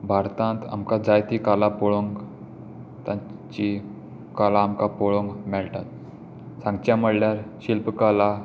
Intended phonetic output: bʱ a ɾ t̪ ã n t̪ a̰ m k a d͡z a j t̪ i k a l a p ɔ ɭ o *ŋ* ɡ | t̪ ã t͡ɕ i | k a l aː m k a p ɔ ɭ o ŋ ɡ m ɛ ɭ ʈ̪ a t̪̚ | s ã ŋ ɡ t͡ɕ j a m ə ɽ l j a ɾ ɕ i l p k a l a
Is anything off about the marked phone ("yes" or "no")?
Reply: no